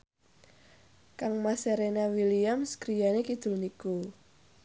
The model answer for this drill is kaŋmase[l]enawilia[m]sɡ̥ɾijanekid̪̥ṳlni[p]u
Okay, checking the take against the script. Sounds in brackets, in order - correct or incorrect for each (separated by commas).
incorrect, correct, incorrect